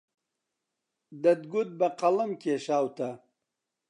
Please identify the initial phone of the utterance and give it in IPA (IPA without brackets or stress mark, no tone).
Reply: d̪